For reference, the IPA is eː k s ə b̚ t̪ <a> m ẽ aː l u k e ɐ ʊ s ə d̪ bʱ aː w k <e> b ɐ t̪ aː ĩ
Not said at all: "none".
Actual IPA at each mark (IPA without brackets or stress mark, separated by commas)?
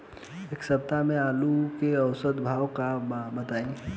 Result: a, a